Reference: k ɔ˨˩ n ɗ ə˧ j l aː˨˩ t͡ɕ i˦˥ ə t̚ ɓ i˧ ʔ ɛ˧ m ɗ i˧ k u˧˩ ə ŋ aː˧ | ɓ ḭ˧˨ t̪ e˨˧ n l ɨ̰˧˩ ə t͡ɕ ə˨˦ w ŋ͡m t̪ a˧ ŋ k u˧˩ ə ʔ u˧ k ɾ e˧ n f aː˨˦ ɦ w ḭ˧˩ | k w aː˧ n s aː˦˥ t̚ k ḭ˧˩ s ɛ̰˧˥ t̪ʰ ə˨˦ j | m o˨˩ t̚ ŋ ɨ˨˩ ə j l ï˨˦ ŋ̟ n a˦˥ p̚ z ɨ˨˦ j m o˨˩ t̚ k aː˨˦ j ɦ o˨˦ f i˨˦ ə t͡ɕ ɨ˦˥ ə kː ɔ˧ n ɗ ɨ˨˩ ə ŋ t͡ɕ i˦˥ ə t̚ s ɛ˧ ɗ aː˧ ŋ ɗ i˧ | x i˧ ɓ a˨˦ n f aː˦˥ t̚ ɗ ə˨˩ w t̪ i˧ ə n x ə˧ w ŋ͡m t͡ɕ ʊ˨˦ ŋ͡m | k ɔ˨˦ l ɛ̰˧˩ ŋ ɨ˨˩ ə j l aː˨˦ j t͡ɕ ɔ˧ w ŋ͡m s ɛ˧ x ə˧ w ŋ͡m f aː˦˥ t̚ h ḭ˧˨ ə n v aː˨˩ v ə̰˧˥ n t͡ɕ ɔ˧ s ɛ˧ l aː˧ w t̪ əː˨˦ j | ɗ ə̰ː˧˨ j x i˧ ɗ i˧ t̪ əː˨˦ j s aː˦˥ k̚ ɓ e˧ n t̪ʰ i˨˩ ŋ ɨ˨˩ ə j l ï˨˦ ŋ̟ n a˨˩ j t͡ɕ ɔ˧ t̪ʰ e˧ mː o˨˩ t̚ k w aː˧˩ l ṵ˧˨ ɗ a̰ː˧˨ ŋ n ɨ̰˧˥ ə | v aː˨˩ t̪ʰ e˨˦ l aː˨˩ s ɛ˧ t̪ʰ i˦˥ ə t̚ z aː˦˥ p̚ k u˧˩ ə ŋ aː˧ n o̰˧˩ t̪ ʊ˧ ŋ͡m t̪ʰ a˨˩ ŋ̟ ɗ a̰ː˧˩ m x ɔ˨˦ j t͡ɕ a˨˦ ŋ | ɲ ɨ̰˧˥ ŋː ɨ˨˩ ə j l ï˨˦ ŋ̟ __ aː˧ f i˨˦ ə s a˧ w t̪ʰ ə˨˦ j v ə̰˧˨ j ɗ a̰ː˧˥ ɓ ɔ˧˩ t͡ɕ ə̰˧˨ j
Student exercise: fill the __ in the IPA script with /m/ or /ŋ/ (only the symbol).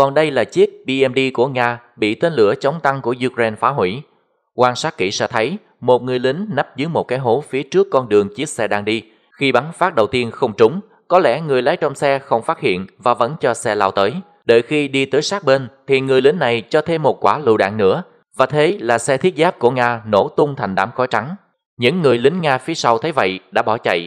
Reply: ŋ